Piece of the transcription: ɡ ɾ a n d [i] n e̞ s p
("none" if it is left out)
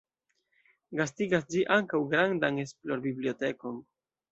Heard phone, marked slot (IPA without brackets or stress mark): a